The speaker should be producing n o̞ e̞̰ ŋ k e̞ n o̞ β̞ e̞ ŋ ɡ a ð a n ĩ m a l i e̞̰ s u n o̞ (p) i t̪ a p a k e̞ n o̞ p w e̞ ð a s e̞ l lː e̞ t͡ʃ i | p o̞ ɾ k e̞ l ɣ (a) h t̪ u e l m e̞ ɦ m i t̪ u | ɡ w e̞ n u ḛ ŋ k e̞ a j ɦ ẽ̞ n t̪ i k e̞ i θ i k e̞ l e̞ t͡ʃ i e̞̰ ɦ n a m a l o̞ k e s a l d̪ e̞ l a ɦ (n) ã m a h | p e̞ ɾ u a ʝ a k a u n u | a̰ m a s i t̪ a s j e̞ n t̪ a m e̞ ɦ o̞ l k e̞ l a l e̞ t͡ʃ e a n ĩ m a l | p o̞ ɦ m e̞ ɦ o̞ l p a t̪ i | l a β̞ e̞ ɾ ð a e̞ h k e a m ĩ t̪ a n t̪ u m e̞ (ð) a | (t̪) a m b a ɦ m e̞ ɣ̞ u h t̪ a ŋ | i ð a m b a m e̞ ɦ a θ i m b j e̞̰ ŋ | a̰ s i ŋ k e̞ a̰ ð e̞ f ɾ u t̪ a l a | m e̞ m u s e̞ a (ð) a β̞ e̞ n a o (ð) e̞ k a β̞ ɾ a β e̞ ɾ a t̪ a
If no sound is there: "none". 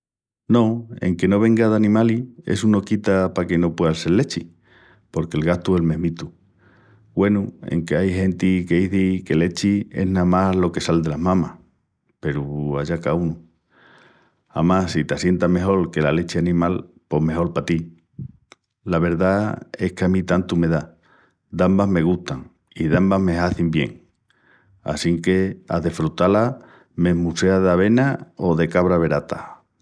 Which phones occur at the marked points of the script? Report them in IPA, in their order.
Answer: k, a, m, ð, d̪, ð, ð

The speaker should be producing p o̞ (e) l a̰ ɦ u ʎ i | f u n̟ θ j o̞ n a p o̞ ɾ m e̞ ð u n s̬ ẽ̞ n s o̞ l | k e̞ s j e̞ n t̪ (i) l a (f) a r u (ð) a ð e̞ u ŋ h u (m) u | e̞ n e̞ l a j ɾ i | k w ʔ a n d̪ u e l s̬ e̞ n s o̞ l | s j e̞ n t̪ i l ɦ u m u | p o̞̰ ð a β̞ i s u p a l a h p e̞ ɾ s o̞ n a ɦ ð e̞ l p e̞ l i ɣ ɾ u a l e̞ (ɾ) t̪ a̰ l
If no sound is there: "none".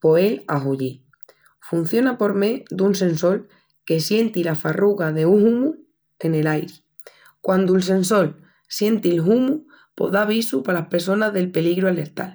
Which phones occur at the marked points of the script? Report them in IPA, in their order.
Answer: e, i, f, ɣ, m, ɾ

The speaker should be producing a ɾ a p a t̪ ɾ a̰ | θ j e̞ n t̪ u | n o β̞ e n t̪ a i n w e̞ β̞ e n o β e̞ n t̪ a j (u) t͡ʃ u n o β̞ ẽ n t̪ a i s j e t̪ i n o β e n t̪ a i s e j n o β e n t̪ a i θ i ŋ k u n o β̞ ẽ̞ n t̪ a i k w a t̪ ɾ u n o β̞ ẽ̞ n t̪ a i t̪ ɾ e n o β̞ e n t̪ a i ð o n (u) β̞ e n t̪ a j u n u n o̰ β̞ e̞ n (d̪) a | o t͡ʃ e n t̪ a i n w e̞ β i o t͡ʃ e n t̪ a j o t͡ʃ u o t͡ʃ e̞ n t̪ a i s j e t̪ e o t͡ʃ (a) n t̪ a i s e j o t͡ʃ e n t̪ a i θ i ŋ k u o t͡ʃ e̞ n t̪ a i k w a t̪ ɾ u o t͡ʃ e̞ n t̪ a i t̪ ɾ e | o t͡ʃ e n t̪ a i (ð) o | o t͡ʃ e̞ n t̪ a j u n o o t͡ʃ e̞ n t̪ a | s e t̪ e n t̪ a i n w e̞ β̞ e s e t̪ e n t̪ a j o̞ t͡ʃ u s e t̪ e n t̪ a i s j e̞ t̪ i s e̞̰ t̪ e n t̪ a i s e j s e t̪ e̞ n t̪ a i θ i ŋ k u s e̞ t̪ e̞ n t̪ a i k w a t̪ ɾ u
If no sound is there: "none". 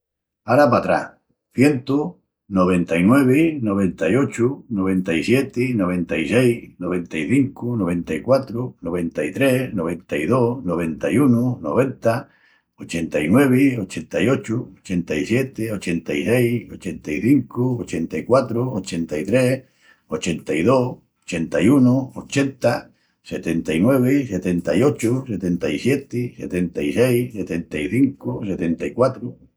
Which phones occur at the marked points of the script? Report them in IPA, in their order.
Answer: o, o, t̪, e, ð

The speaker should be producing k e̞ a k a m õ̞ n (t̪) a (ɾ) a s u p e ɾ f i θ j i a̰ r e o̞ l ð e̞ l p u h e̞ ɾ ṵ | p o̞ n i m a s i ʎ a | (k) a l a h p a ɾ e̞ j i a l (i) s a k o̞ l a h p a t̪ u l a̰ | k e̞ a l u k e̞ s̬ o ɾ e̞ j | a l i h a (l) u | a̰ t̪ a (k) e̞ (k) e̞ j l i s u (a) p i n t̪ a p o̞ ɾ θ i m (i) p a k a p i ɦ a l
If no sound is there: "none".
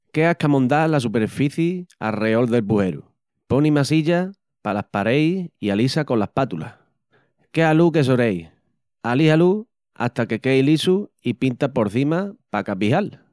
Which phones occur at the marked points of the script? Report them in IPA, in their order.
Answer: d̪, l, p, i, l, k, k, i, a

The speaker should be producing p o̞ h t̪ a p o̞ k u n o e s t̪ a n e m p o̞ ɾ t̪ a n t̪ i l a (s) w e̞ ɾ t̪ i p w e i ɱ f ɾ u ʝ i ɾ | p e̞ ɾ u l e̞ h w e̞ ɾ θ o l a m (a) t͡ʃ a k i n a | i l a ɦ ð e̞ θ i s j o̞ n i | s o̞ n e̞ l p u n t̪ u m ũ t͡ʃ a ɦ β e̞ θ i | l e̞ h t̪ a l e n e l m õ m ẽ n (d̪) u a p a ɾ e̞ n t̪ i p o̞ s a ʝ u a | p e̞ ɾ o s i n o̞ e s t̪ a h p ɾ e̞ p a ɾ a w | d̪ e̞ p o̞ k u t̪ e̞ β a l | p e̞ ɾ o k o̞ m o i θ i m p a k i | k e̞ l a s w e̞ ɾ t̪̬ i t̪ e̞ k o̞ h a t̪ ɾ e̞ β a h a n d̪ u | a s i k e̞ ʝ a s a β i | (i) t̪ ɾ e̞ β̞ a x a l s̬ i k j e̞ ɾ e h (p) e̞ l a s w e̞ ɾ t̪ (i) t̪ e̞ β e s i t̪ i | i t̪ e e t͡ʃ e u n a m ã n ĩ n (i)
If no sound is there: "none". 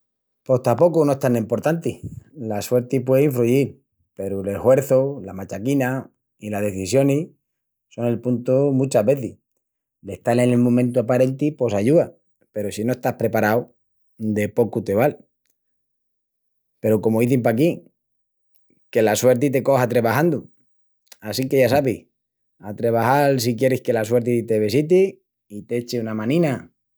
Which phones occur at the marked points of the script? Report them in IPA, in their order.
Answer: s, a, t̪, a, k, i, a

